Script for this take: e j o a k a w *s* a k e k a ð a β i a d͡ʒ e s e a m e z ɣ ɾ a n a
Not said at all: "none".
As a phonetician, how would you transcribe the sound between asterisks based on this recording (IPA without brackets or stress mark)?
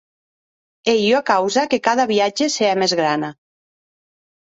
z